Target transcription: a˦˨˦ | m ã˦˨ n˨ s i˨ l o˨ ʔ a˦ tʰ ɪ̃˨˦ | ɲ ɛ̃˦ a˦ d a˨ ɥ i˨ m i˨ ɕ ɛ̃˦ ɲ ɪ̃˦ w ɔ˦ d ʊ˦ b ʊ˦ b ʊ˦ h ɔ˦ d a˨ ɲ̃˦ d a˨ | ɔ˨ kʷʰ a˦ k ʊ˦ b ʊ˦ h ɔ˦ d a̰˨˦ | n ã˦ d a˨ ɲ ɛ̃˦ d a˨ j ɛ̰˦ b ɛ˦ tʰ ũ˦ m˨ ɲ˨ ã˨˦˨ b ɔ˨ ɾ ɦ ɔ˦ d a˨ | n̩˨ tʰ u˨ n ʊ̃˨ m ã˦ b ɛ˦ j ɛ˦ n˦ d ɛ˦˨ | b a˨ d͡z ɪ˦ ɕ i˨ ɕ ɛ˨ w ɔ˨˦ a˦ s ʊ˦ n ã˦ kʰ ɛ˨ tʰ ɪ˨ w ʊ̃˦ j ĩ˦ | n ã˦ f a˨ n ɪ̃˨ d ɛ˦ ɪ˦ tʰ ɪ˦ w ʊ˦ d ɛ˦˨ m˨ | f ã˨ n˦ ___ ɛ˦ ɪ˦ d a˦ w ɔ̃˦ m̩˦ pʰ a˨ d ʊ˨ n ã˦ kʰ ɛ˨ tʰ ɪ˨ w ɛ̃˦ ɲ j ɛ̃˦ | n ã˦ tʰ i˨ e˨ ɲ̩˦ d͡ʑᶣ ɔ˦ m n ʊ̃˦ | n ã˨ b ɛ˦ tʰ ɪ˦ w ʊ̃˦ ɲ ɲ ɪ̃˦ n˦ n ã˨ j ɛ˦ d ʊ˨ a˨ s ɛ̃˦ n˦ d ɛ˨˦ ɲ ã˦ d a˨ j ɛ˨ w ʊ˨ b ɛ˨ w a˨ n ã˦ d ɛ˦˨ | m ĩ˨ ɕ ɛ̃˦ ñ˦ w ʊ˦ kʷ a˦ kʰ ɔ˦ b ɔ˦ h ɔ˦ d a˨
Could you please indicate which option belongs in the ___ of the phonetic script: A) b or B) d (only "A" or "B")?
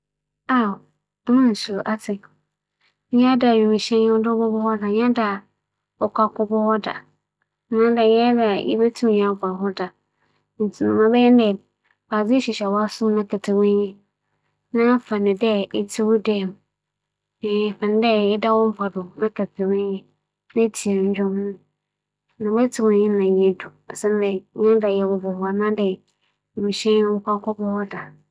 B